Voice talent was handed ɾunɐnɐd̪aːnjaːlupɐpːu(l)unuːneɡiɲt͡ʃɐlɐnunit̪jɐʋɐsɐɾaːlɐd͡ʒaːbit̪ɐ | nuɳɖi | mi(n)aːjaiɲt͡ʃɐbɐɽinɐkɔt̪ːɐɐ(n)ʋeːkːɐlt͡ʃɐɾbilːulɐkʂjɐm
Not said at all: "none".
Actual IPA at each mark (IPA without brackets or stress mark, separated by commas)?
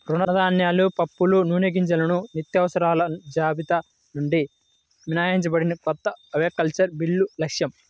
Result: l, n, none